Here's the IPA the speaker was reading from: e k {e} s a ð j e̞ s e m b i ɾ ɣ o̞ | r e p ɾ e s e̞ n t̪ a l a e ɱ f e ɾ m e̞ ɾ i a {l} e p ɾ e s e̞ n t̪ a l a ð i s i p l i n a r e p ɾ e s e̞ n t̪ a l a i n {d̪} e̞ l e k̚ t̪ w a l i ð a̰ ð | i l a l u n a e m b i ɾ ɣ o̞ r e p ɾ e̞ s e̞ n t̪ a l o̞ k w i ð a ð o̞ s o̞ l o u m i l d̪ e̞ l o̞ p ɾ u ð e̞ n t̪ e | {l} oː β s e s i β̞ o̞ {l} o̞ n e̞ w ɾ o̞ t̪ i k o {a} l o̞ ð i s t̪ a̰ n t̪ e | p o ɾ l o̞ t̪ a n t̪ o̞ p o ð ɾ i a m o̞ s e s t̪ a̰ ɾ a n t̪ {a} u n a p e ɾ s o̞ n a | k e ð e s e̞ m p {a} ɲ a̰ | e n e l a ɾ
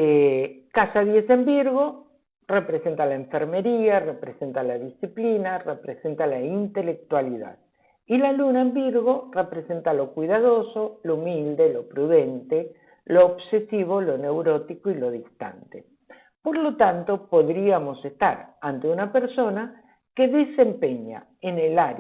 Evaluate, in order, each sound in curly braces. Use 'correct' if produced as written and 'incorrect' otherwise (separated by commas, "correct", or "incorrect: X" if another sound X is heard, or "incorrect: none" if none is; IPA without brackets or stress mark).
incorrect: a, incorrect: r, incorrect: t̪, correct, correct, incorrect: i, incorrect: e, incorrect: e